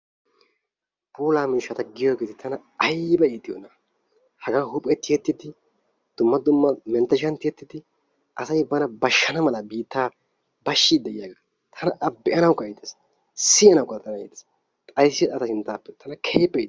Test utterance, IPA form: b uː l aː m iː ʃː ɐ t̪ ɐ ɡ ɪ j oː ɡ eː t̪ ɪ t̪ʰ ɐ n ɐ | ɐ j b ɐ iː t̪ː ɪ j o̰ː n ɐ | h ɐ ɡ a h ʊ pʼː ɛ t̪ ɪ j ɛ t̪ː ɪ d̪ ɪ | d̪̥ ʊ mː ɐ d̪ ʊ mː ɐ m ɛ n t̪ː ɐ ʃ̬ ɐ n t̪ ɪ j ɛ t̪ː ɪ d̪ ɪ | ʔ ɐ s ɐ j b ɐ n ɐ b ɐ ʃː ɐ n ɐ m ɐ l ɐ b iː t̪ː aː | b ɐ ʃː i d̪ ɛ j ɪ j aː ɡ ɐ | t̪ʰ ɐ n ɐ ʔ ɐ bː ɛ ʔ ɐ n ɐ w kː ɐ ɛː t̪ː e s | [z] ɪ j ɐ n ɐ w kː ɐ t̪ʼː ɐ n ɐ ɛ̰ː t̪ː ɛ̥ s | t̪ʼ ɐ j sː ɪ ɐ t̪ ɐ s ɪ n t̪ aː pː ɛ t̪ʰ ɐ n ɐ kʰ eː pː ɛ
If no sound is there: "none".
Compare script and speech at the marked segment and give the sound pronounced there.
s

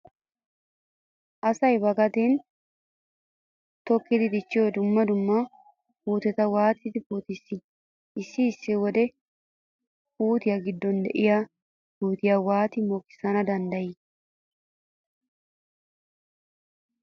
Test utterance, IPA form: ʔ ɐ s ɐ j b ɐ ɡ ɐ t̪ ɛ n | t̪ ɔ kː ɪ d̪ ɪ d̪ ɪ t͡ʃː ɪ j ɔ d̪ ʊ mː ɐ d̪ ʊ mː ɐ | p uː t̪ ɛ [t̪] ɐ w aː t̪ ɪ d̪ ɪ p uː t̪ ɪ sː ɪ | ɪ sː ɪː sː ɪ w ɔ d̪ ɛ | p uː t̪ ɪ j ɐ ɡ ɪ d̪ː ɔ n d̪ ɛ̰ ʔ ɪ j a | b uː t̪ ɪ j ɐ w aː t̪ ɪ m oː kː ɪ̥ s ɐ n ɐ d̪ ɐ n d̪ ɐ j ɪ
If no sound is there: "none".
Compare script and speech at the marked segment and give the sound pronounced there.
t̪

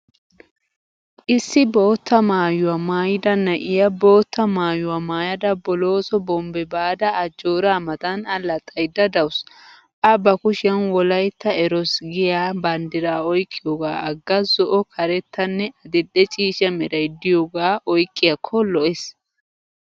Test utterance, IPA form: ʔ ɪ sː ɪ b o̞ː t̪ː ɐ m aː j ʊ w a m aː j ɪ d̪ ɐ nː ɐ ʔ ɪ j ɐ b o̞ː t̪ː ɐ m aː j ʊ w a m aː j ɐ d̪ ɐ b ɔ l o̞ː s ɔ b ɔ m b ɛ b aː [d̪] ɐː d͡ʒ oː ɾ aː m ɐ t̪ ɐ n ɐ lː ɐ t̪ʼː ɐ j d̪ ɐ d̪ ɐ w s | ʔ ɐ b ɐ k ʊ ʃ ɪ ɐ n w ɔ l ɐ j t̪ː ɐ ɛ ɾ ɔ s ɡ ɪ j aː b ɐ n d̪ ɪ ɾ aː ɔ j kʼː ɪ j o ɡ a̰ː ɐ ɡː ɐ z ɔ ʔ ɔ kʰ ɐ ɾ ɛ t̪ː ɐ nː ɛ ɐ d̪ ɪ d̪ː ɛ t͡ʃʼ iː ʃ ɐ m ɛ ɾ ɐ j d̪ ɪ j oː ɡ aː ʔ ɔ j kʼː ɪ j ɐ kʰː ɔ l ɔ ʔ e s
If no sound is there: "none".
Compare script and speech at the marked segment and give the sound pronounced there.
d̪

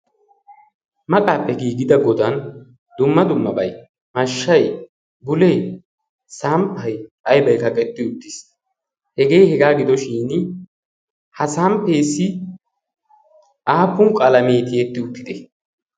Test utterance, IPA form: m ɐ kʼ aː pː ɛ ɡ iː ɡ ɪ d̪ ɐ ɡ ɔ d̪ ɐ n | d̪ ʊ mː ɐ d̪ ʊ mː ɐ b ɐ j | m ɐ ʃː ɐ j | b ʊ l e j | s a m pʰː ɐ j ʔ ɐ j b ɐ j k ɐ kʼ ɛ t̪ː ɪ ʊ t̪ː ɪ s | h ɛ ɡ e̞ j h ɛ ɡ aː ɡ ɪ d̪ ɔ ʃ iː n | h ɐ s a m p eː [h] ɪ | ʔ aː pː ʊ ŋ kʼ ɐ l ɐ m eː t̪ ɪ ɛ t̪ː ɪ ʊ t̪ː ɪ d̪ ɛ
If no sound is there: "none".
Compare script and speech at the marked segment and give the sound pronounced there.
s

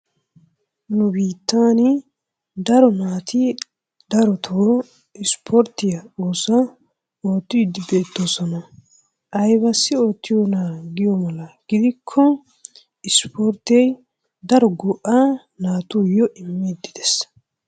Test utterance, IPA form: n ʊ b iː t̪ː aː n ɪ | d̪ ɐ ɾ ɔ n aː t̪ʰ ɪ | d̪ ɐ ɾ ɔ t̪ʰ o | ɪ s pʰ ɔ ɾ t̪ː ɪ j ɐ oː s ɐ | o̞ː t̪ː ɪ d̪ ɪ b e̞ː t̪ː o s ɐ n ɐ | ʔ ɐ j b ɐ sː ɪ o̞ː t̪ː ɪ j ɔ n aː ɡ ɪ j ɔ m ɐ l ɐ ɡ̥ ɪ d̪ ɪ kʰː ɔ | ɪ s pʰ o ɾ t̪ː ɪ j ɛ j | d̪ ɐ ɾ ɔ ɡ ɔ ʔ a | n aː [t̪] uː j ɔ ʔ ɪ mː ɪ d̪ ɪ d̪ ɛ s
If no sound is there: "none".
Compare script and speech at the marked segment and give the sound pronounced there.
t̪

